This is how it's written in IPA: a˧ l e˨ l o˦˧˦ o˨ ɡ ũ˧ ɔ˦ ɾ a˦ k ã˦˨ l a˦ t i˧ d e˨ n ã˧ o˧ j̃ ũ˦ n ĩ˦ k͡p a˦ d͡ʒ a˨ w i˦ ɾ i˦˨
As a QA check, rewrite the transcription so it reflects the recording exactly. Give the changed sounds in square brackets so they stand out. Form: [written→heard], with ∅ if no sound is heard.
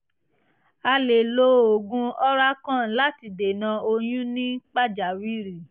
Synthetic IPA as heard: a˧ l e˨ l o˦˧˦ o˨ ɡ ũ˧ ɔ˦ ɾ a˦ k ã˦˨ l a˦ t i˧ d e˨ n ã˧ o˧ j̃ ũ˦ n ĩ˦ k͡p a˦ d͡ʒ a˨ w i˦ ɾ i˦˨